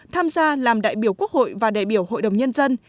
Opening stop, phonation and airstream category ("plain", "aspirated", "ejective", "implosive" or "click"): aspirated